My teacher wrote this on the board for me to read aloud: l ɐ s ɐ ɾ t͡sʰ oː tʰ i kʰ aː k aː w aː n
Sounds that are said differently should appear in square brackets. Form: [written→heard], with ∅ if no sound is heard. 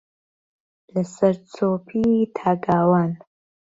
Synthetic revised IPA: l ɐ s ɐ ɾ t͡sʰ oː [tʰ→pʰ] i [kʰ→tʰ] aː [k→ɡ] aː w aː n